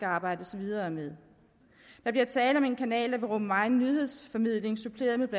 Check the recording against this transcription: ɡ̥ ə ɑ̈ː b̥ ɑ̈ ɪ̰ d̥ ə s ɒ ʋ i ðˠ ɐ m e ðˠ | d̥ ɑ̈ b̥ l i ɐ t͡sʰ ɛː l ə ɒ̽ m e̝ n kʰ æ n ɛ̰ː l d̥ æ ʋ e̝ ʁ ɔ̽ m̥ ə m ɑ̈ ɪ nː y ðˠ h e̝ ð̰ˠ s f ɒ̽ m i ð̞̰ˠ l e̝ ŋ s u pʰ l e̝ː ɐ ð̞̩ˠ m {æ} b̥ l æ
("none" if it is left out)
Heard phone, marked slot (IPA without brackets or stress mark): e